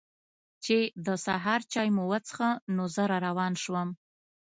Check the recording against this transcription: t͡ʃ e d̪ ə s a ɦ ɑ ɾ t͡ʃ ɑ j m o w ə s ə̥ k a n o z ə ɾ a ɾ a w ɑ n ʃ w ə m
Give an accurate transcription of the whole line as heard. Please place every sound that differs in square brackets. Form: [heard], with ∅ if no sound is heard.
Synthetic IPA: t͡ʃ e d̪ ə s a ɦ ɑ ɾ t͡ʃ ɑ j m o w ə [t͡s] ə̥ [x] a n o z ə ɾ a ɾ a w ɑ n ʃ w ə m